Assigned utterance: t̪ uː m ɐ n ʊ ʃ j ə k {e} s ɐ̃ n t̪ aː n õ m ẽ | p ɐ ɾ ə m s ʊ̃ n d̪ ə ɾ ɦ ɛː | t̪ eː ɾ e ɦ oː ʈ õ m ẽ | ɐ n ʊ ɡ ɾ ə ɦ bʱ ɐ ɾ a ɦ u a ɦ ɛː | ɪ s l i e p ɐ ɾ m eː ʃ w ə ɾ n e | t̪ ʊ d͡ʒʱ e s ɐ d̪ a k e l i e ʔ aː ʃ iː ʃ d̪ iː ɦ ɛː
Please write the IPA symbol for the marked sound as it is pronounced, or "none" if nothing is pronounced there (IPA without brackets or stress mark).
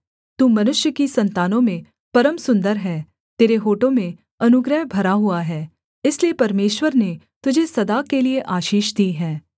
i